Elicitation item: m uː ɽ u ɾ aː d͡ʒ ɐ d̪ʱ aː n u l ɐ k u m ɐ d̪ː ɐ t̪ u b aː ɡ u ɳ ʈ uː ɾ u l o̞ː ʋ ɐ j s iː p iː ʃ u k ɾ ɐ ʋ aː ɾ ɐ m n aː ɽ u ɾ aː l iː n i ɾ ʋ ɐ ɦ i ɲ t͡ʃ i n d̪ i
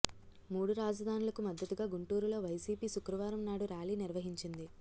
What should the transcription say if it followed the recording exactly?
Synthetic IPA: m uː ɽ u ɾ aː d͡ʒ ɐ d̪ʱ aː n u l ɐ k u m ɐ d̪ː ɐ t̪ u ɡ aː ɡ u ɳ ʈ uː ɾ u l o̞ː ʋ ɐ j s iː p iː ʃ u k ɾ ɐ ʋ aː ɾ ɐ m n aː ɽ u ɾ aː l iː n i ɾ ʋ ɐ ɦ i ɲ t͡ʃ i n d̪ i